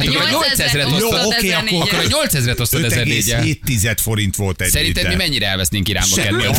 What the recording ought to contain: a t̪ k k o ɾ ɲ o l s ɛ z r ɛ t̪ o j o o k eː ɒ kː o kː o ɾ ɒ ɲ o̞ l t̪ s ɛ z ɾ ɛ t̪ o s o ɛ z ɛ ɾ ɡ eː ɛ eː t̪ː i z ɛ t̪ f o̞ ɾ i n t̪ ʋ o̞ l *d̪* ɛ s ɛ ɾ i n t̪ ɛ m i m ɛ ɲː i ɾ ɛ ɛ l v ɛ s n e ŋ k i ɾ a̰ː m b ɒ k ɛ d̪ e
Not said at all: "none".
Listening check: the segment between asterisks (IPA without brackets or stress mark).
t̪